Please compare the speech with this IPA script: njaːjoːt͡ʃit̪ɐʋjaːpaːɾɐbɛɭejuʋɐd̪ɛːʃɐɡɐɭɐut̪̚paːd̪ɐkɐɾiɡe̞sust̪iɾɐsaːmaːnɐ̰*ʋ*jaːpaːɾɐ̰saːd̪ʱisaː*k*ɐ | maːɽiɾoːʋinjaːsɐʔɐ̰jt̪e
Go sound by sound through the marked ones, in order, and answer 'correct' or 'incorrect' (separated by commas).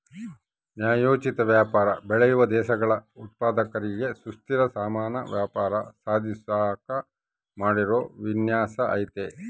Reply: correct, correct